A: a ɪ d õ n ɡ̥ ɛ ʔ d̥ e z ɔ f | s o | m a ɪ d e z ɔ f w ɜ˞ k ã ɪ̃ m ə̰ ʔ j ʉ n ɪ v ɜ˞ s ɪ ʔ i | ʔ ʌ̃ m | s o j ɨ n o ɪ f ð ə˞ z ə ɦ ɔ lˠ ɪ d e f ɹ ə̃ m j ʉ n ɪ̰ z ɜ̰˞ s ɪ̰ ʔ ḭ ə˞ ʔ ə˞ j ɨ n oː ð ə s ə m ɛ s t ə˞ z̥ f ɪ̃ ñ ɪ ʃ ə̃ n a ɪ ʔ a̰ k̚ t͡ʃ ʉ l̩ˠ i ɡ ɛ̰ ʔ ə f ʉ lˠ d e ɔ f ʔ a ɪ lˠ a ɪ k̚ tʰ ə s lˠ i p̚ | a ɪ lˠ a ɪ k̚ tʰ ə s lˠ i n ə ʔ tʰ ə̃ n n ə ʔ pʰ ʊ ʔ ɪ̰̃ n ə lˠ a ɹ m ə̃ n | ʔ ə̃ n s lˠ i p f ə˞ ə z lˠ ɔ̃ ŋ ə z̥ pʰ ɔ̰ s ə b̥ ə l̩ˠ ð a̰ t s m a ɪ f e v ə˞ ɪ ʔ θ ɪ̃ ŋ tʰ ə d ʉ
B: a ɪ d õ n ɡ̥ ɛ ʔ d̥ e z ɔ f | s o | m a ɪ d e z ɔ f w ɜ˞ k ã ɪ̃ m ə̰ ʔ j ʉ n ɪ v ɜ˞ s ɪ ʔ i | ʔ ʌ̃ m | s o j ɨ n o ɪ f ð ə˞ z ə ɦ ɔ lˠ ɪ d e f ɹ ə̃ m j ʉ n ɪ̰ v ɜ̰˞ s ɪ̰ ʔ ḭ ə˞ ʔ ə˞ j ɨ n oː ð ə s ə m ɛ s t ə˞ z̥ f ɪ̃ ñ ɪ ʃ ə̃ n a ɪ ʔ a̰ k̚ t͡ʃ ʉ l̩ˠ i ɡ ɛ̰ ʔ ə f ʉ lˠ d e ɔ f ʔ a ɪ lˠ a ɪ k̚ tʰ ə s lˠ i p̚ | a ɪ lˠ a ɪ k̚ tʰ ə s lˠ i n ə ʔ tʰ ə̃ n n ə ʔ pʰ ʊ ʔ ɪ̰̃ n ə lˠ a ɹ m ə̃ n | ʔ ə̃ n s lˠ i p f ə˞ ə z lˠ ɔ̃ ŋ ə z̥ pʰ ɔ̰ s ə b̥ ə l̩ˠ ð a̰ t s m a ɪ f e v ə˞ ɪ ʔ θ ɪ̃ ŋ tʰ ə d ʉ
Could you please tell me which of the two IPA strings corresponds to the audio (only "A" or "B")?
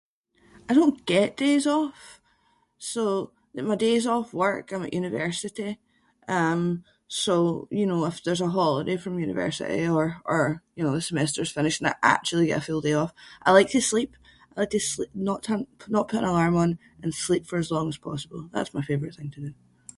B